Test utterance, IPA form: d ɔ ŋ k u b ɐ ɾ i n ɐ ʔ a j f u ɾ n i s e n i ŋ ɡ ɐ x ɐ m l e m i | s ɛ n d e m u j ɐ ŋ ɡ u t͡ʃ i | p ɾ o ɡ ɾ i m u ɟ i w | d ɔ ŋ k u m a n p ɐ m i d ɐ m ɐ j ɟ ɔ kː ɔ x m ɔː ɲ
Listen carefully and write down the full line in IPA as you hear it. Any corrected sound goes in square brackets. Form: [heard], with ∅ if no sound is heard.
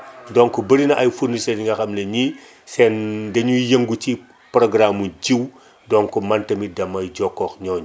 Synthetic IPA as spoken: d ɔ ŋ k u b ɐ ɾ i n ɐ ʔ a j f u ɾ n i s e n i ŋ ɡ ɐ x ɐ m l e [ɲ] i | s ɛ n d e [ɲ] u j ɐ ŋ ɡ u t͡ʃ i | p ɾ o ɡ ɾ [a] m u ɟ i w | d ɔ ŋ k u m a n [t] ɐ m i d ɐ m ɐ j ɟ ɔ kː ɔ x [ɲ] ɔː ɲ